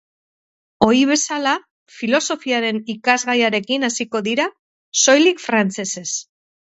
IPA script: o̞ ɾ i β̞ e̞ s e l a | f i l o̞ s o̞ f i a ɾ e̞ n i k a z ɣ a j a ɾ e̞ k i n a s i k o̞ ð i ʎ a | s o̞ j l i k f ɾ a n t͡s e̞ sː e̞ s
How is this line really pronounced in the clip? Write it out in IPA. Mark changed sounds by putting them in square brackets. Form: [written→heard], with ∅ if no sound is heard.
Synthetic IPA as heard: o̞ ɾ i β̞ e̞ s [e→a] l a | f i l o̞ s o̞ f i a ɾ e̞ n i k a z ɣ a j a ɾ e̞ k i n a s i k o̞ ð i [ʎ→ɾ] a | s o̞ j l i k f ɾ a n t͡s e̞ [sː→s] e̞ s